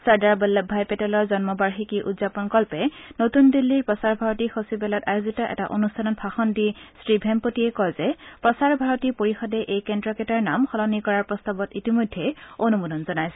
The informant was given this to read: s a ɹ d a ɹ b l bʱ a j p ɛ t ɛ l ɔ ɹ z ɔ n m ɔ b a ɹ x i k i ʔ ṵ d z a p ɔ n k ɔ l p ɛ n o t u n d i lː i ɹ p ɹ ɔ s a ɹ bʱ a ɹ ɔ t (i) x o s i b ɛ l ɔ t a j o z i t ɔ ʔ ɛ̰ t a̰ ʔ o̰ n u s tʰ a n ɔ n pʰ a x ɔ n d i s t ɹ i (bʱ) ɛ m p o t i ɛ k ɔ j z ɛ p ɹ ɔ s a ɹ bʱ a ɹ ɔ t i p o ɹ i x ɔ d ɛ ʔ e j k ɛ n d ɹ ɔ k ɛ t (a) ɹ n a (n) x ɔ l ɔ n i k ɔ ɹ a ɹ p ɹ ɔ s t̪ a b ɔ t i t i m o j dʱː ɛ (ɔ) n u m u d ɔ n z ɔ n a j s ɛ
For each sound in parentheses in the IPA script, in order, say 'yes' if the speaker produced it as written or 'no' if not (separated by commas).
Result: yes, yes, yes, no, no